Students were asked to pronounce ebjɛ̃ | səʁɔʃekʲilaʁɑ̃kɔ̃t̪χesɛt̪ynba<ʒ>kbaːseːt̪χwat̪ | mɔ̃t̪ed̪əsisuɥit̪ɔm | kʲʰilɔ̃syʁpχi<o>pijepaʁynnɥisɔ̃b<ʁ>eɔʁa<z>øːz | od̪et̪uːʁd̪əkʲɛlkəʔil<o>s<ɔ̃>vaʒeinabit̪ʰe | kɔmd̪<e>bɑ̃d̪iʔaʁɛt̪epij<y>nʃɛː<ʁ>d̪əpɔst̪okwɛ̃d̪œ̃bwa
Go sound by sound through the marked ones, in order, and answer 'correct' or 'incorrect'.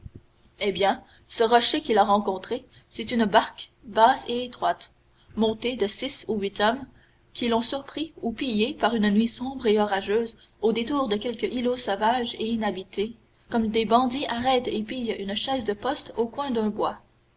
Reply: incorrect: ʁ, incorrect: u, correct, incorrect: ʒ, correct, incorrect: ɔ, correct, correct, incorrect: z

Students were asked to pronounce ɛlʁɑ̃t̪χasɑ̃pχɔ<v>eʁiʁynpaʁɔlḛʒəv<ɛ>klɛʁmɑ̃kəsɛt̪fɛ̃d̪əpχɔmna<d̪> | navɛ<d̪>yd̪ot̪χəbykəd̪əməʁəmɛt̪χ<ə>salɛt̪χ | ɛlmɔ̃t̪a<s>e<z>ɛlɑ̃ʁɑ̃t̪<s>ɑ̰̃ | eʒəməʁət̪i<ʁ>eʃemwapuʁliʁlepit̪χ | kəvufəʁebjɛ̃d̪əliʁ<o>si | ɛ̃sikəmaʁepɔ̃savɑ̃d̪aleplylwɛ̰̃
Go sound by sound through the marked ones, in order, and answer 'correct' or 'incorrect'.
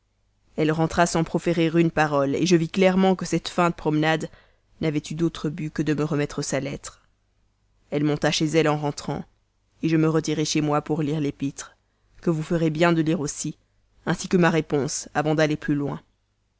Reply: incorrect: f, incorrect: i, correct, incorrect: t̪, correct, incorrect: ʃ, correct, incorrect: χ, correct, correct

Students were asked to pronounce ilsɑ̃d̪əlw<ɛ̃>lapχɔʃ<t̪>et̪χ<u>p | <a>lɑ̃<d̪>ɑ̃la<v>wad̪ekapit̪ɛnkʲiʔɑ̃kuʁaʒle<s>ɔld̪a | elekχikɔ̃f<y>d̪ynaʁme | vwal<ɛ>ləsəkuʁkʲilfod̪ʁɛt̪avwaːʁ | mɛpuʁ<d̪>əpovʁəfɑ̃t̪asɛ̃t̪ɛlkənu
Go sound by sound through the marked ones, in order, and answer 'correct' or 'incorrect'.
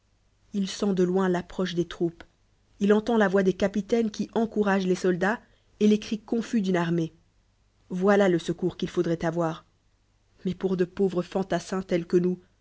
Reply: correct, incorrect: d̪, correct, incorrect: i, incorrect: t̪, correct, correct, correct, incorrect: a, correct

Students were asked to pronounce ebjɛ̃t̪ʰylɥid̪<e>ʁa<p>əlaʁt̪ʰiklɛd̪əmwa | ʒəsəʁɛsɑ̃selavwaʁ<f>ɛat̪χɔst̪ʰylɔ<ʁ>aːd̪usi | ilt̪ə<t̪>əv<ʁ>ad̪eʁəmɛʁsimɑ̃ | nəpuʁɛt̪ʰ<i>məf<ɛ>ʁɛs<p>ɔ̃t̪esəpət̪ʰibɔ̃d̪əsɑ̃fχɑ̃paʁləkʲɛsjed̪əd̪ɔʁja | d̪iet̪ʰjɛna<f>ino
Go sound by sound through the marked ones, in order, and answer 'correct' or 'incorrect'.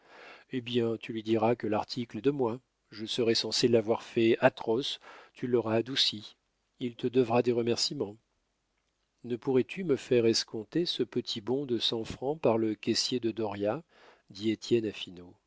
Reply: incorrect: i, incorrect: k, correct, correct, incorrect: d̪, correct, incorrect: y, correct, incorrect: k, correct

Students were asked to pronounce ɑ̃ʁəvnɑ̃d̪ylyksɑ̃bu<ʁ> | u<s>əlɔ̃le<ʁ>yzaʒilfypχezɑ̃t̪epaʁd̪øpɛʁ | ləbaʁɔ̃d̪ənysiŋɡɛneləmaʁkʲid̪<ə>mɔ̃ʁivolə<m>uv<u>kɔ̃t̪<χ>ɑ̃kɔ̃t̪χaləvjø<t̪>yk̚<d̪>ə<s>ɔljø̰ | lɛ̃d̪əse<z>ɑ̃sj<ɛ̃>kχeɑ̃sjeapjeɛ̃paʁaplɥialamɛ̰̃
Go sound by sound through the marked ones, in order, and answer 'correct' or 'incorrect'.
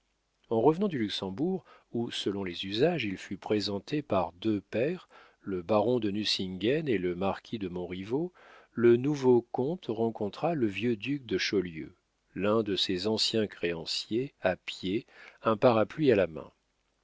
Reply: correct, correct, incorrect: z, correct, incorrect: n, incorrect: o, incorrect: ʁ, incorrect: d̪, correct, incorrect: ʃ, correct, correct

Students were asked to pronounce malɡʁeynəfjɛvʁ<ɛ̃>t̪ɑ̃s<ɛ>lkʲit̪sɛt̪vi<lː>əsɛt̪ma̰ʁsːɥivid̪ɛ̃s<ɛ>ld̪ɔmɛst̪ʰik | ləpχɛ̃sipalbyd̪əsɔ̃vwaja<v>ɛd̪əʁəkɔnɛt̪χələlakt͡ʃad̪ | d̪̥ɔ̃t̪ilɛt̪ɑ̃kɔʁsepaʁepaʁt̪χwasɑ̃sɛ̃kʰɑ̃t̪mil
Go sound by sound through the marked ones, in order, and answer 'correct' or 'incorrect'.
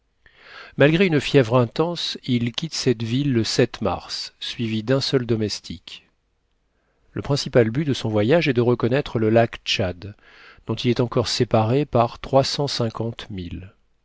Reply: correct, incorrect: i, correct, incorrect: œ, incorrect: ʒ

